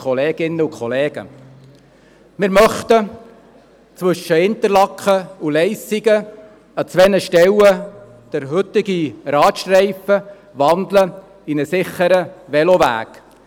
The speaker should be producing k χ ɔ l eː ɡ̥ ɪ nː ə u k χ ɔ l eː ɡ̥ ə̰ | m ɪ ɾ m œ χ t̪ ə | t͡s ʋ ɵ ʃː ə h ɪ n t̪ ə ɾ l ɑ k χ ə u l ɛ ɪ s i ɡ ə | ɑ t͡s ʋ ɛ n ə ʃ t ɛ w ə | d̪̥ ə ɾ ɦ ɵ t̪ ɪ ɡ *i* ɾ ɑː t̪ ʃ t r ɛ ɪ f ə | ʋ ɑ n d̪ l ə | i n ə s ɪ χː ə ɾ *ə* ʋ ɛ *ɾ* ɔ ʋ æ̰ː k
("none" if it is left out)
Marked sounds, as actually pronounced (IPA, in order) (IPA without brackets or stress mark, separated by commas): i, ə, l